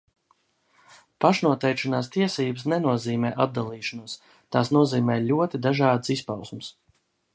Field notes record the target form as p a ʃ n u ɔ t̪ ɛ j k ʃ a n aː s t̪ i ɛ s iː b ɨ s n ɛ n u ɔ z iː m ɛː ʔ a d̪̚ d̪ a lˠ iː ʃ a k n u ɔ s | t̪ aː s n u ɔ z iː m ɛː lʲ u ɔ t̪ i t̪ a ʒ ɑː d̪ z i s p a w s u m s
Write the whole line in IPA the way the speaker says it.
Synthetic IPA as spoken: p a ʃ n u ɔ t̪ ɛ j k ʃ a n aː s t̪ i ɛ s iː b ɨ s n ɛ n u ɔ z iː m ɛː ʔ a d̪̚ d̪ a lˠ iː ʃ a n u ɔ s | t̪ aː s n u ɔ z iː m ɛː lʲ u ɔ t̪ i d̪ a ʒ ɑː d̪ s i s p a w s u m s